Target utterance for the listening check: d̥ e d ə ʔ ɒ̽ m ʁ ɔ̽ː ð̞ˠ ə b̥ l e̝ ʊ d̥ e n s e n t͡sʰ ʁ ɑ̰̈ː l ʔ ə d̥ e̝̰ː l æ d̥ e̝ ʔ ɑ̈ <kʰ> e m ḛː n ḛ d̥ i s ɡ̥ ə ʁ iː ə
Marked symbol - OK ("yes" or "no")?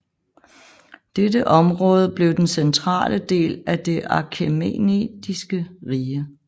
yes